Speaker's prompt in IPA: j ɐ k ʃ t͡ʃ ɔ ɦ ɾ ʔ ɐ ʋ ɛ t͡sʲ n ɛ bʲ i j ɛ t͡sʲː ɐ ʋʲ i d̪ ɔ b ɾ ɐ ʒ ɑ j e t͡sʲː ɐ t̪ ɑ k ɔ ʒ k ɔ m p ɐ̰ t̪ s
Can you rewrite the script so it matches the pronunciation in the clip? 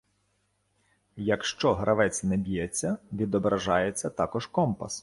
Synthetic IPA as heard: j ɐ k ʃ t͡ʃ ɔ ɦ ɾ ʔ ɐ ʋ ɛ t͡sʲ n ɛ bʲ i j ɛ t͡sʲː ɐ ʋʲ i d̪ ɔ b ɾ ɐ ʒ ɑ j e t͡sʲː ɐ t̪ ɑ k ɔ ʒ k ɔ m p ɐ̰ s